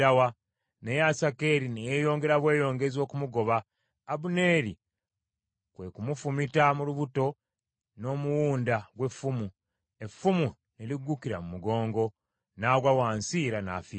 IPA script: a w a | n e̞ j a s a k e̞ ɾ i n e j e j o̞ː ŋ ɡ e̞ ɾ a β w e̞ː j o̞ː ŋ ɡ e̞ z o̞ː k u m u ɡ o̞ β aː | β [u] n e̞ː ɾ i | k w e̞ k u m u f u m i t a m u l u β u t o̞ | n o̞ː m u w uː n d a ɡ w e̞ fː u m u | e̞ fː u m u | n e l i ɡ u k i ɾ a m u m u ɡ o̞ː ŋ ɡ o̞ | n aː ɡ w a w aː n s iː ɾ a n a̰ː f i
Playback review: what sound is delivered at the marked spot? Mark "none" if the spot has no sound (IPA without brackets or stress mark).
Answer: u